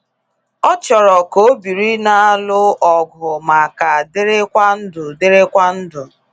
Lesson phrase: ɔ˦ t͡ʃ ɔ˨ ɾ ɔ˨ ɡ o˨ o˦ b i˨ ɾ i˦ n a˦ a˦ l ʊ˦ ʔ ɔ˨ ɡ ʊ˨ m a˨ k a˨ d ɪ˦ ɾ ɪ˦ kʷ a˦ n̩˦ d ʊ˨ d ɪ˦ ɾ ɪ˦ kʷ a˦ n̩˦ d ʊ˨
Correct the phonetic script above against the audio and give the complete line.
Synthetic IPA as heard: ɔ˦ t͡ʃ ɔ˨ ɾ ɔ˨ k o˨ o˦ b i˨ ɾ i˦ n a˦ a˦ l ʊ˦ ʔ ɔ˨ ɡ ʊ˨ m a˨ k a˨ d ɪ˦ ɾ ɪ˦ kʷ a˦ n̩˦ d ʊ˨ d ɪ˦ ɾ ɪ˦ kʷ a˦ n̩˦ d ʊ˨